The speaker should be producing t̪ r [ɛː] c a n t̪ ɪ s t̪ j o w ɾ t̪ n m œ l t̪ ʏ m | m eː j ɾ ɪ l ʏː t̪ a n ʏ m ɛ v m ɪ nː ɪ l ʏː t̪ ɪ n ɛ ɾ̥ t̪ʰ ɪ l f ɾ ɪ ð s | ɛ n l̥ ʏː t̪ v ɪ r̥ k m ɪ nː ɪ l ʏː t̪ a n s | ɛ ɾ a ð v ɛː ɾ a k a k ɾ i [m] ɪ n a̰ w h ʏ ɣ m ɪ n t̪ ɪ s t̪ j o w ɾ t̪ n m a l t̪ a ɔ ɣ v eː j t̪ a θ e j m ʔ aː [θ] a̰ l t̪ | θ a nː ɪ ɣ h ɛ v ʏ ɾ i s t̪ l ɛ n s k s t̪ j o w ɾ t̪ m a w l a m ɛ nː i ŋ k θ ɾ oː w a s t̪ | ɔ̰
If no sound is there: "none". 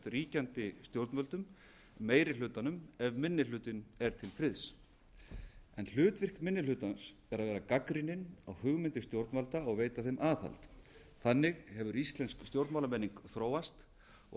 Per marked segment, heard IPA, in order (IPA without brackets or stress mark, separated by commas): iː, n, θ